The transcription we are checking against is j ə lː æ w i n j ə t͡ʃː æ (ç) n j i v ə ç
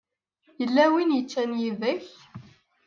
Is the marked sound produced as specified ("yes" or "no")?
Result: no